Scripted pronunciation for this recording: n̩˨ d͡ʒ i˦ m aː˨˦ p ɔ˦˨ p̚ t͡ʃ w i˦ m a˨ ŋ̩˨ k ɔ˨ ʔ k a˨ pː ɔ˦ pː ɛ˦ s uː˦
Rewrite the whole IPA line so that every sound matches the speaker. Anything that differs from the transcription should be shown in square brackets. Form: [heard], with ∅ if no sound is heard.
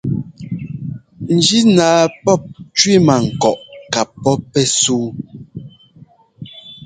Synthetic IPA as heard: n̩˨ d͡ʒ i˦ [n] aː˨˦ p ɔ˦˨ p̚ t͡ʃ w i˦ m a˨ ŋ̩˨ k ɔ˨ ʔ k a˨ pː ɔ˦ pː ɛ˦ s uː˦